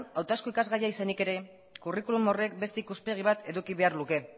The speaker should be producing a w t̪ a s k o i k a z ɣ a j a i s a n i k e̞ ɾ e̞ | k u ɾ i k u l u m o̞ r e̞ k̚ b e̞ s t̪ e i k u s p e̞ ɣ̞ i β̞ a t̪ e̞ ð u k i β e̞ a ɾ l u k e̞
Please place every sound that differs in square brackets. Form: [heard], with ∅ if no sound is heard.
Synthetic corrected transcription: a w t̪ a s k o i k a z ɣ a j a i s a n i k e̞ ɾ e̞ | k u [r] i k u l u m o̞ r e̞ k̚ b e̞ s t̪ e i k u s p e̞ ɣ̞ i β̞ a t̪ e̞ ð u k i β e̞ a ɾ l u k e̞